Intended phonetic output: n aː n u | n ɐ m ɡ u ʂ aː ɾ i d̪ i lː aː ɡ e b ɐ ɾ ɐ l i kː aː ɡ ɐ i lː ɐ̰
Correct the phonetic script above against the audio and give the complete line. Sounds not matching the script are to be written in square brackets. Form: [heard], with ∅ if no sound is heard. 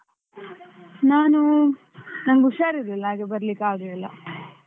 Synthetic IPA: n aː n u | n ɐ m ɡ u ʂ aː ɾ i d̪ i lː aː ɡ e b ɐ ɾ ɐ l i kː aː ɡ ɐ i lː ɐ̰